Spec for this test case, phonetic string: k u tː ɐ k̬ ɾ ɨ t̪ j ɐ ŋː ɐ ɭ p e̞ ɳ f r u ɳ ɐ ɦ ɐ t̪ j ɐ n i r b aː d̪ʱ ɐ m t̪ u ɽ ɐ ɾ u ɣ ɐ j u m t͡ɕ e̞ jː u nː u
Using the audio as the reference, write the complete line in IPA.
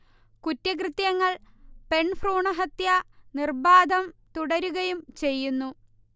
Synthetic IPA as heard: k u tː ɐ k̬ r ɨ t̪ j ɐ ŋː ɐ ɭ p e̞ ɳ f r uː ɳ ɐ ɦ ɐ t̪ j ɐ n i r b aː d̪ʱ ɐ m t̪ u ɽ ɐ ɾ u ɣ ɐ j u m t͡ɕ e̞ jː u nː u

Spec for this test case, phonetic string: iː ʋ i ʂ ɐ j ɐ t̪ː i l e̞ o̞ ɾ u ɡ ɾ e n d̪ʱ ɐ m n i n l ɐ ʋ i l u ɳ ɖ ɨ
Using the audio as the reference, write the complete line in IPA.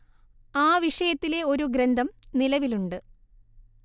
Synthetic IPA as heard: aː ʋ i ʂ ɐ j ɐ t̪ː i l e̞ o̞ ɾ u ɡ ɾ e n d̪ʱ ɐ m n i l ɐ ʋ i l u ɳ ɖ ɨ

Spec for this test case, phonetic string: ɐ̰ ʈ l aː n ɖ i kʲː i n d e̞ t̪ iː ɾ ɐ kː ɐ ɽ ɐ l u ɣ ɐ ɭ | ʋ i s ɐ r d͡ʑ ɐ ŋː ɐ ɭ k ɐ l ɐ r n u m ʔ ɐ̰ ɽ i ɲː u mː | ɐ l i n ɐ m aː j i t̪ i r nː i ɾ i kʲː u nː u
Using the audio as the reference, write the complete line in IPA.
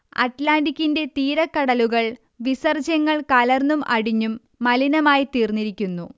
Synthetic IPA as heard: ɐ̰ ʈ l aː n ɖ i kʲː i n d e̞ t̪ iː ɾ ɐ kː ɐ ɽ ɐ l u ɣ ɐ ɭ | ʋ i s ɐ r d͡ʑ ɐ ŋː ɐ ɭ k ɐ l ɐ r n u m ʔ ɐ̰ ɽ i ɲː u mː | ɐ l i n ɐ m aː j i t̪ iː r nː i ɾ i kʲː u nː u

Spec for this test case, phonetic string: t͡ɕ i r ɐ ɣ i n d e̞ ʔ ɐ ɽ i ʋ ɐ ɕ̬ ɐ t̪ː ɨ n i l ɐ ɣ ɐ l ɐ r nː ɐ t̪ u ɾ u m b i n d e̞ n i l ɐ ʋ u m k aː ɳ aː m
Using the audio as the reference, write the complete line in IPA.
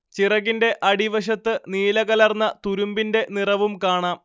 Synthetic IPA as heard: t͡ɕ i r ɐ ɣ i n d e̞ ʔ ɐ ɽ i ʋ ɐ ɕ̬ ɐ t̪ː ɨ n iː l ɐ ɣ ɐ l ɐ r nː ɐ t̪ u ɾ u m b i n d e̞ n i r ɐ ʋ u m k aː ɳ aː m

